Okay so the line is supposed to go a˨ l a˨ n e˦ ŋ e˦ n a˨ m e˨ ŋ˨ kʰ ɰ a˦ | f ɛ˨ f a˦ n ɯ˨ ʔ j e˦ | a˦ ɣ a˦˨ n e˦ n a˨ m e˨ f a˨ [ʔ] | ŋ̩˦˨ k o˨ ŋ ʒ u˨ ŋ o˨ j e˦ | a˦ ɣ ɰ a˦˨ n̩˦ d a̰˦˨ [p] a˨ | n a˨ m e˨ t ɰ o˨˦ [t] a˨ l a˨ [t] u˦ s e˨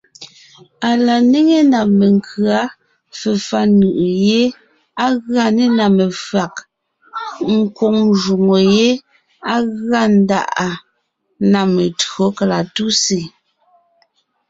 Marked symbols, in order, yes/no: no, no, no, yes

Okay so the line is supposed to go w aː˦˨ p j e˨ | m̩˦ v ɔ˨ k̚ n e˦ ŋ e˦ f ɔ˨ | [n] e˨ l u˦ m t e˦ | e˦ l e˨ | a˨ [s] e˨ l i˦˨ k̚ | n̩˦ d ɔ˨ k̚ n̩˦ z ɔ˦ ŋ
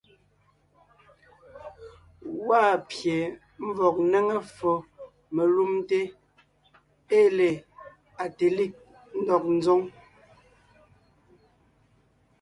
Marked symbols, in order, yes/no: no, no

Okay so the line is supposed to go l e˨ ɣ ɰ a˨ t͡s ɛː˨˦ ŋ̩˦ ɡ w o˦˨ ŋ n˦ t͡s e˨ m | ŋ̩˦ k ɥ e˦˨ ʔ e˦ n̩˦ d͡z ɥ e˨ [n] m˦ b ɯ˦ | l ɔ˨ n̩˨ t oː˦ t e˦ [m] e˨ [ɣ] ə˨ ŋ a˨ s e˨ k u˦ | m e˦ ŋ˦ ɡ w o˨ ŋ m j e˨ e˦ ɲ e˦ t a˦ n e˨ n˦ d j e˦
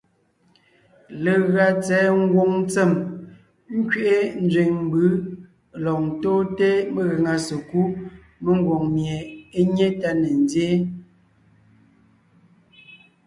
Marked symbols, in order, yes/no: no, yes, yes

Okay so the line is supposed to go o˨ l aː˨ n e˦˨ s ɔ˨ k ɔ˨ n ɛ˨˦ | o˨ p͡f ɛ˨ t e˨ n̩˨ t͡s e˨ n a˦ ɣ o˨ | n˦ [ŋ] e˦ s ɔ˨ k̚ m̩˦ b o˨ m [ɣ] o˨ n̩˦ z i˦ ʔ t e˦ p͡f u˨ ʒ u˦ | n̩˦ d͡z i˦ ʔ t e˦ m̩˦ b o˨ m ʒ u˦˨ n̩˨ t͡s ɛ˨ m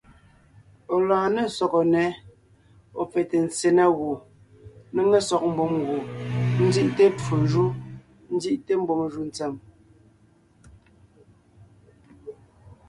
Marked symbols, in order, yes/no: yes, yes

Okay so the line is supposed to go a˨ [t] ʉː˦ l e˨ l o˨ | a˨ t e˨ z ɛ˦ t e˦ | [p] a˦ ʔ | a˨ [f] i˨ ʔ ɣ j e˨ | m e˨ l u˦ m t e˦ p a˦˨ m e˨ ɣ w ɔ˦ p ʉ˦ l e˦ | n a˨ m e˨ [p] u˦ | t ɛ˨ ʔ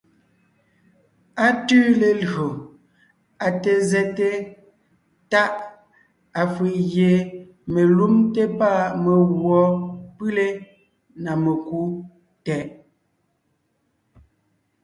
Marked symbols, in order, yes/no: yes, no, yes, no

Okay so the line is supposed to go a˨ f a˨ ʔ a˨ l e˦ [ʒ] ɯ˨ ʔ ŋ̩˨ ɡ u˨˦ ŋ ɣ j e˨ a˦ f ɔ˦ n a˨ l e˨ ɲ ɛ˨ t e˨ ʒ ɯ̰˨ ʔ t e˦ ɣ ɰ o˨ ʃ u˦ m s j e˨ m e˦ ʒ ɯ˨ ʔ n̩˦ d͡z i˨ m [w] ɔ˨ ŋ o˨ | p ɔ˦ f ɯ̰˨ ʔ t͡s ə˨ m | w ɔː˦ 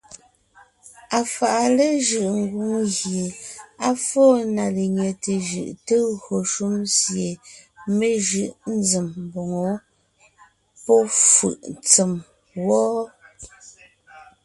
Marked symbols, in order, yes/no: yes, no

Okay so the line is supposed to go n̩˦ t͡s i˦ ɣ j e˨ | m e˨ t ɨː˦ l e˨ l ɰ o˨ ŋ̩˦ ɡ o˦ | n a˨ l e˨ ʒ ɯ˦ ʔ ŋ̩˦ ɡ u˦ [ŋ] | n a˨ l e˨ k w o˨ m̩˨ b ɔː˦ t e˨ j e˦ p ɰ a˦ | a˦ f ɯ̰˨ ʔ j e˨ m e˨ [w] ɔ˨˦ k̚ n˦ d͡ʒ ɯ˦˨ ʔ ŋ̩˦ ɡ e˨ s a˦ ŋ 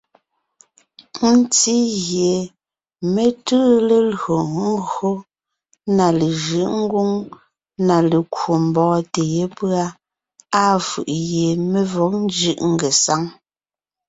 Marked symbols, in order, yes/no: yes, no

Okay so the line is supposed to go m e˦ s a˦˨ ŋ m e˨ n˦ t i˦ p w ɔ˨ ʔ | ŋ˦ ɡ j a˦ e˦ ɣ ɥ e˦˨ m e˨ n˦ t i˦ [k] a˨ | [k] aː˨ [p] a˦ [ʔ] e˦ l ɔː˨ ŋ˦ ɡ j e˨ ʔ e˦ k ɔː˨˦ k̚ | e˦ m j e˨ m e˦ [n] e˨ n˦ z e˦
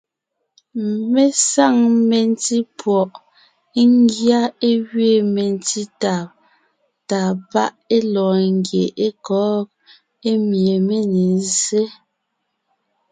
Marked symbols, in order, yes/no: no, no, yes, yes, yes

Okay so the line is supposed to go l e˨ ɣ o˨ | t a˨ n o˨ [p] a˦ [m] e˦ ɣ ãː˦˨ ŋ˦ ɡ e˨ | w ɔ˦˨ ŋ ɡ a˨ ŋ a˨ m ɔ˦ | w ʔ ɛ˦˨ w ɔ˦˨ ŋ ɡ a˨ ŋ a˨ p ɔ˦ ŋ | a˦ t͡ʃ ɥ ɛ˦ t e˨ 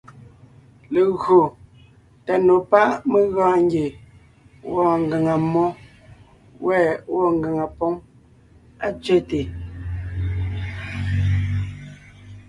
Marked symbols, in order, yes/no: yes, yes

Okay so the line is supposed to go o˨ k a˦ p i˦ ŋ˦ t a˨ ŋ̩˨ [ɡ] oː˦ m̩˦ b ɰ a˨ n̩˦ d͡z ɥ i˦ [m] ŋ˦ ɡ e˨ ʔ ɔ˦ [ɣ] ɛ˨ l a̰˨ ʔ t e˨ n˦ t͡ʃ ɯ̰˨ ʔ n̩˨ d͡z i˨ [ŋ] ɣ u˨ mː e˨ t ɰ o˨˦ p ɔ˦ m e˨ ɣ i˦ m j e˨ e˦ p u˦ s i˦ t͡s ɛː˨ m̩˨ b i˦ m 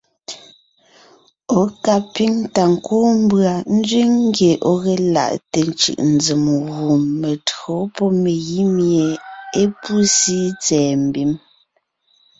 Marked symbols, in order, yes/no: no, no, yes, no

